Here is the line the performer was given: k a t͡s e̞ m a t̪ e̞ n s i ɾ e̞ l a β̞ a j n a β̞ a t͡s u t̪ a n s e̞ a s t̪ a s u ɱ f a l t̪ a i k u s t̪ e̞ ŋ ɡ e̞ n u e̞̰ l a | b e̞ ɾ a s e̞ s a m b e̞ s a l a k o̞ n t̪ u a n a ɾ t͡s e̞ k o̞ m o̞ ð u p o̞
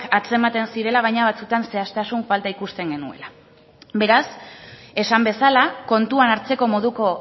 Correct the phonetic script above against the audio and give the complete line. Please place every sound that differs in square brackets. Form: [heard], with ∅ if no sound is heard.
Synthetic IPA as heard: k a t͡s e̞ m a t̪ e̞ n s i ɾ e̞ l a β̞ a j [ɲ] a β̞ a t͡s u t̪ a n s e̞ a s t̪ a s u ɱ f a l t̪ a i k u s t̪ e̞ ŋ ɡ e̞ n u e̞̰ l a | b e̞ ɾ a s e̞ s a m b e̞ s a l a k o̞ n t̪ u a n a ɾ t͡s e̞ k o̞ m o̞ ð u [k] o̞